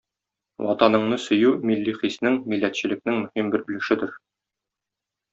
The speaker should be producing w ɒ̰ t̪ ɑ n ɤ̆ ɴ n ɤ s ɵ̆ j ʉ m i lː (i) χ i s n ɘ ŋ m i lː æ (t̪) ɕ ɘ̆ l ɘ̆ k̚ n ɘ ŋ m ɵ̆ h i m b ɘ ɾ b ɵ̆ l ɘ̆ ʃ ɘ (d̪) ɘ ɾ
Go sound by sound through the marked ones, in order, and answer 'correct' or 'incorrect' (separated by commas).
correct, correct, correct